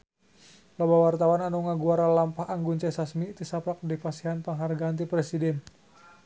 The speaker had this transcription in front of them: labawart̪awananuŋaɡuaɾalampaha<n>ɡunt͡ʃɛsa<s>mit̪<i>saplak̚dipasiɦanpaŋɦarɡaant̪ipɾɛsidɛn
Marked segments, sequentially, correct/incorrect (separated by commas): incorrect, correct, correct